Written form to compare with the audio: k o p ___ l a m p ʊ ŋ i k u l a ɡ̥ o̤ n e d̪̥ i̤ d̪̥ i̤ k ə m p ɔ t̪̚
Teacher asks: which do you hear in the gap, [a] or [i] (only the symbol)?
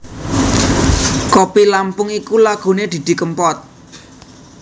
i